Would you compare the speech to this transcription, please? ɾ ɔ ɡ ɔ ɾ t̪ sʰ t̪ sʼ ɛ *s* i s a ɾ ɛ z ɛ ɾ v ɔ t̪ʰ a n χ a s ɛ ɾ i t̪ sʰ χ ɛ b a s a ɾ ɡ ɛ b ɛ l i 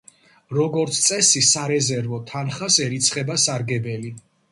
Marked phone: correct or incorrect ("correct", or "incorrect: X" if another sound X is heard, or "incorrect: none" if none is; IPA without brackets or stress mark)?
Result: correct